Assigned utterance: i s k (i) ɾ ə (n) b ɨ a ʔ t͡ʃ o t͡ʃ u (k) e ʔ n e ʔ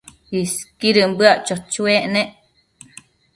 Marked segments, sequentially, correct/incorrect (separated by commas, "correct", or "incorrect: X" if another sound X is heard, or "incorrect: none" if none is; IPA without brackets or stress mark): correct, incorrect: m, incorrect: none